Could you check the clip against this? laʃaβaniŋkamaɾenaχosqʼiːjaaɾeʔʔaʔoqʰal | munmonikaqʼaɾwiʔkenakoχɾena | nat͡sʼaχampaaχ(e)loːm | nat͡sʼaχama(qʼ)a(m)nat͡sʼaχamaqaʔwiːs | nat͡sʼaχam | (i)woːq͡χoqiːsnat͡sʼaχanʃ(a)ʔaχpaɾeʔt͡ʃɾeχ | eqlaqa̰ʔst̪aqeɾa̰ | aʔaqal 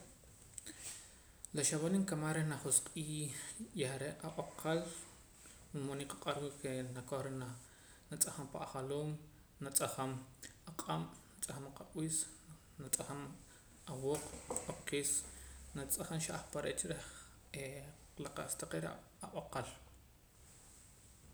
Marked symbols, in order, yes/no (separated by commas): no, yes, yes, no, yes